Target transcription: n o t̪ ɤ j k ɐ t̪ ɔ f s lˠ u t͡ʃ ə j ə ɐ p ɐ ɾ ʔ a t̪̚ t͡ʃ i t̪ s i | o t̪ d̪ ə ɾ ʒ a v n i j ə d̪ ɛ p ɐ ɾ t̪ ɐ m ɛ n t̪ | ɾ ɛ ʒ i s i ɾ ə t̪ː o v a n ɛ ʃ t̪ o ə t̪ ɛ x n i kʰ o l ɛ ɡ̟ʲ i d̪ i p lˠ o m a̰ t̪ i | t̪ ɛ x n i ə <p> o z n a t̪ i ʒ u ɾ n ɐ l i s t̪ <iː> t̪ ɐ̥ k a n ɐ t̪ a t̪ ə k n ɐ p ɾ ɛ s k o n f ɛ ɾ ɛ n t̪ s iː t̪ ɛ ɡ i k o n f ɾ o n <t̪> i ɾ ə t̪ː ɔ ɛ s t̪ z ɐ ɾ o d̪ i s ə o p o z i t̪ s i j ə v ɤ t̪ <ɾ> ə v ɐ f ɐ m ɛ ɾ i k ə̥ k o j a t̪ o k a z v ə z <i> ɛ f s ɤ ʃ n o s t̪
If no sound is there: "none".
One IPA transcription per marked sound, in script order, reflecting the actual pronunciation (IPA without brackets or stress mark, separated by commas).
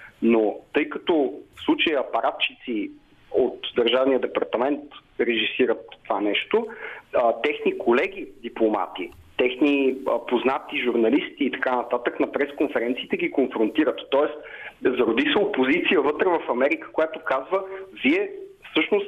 p, iː, t̪, ɾ, i